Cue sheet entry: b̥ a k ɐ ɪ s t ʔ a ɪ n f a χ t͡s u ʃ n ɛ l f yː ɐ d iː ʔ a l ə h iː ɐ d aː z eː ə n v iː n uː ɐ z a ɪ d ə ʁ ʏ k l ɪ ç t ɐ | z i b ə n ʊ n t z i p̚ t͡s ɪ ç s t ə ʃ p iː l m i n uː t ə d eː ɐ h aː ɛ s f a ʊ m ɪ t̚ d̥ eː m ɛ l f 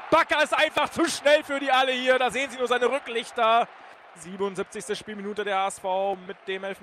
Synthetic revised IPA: b̥ a k ɐ ɪ s t ʔ a ɪ n f a χ t͡s u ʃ n ɛ l f yː ɐ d iː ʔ a l ə h iː ɐ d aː z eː ə n z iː n uː ɐ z a ɪ n ə ʁ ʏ k l ɪ ç t ɐ | z iː b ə n ʊ n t z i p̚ t͡s ɪ ç s t ə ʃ p iː l m i n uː t ə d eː ɐ h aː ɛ s f a ʊ m ɪ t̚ d̥ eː m ɛ l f